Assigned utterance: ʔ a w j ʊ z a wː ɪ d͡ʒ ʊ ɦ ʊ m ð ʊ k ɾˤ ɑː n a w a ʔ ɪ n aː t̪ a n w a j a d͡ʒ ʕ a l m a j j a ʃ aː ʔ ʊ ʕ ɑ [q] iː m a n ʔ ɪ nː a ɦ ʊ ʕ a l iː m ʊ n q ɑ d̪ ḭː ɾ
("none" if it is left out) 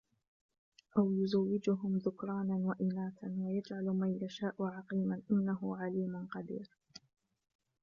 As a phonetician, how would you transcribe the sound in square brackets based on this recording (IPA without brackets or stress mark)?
q